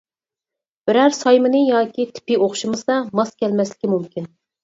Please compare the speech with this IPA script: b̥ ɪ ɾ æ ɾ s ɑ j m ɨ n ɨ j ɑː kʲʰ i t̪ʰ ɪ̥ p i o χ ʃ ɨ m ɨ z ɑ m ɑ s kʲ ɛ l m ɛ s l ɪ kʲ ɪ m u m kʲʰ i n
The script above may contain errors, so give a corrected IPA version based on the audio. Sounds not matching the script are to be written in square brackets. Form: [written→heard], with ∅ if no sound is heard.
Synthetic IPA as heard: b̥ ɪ ɾ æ ɾ s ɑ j m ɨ n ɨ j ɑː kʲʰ i t̪ʰ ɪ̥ p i o χ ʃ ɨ m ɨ [z→s] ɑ m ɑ s kʲ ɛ l m ɛ s l ɪ kʲ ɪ m u m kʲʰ i n